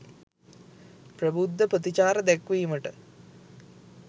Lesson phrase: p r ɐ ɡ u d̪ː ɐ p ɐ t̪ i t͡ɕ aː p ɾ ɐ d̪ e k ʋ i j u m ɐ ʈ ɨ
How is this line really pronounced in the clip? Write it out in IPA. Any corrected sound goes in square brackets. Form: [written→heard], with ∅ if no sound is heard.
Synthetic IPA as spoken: p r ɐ [ɡ→b] u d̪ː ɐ p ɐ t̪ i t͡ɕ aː [p→∅] ɾ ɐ d̪ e k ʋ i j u m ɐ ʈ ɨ